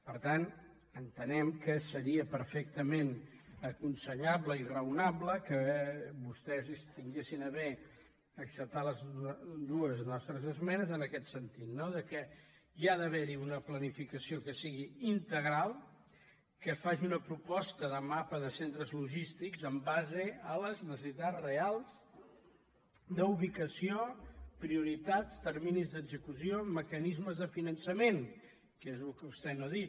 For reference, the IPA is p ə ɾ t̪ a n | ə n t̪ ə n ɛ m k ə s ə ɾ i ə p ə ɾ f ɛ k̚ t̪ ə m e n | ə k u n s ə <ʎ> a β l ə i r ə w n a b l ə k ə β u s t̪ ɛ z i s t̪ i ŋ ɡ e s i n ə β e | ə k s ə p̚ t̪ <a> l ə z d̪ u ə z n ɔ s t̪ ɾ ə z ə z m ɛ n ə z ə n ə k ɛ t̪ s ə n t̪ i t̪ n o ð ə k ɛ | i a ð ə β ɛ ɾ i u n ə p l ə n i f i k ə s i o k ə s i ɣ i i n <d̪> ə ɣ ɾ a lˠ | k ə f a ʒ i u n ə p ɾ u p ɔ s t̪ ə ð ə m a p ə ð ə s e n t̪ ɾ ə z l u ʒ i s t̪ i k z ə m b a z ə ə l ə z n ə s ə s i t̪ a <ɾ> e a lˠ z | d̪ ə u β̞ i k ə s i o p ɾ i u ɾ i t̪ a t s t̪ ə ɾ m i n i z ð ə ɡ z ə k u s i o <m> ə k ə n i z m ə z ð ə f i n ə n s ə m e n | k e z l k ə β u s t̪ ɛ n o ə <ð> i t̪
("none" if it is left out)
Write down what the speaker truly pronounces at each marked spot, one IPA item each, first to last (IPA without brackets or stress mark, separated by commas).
ʎ, a, t̪, r, m, ð